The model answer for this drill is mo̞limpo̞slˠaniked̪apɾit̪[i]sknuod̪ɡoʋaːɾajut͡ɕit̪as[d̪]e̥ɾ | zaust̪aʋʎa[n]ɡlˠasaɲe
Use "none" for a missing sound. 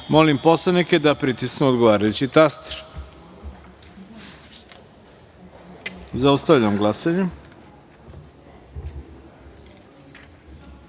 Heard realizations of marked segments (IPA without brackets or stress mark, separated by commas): i, t̪, m